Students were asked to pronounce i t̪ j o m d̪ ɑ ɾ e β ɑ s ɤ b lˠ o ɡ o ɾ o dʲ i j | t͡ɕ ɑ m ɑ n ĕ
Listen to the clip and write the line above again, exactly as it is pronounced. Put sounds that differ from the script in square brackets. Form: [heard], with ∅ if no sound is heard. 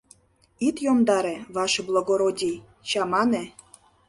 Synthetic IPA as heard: i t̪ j o m d̪ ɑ ɾ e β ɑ [ʃ] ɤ b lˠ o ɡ o ɾ o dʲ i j | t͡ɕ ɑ m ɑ n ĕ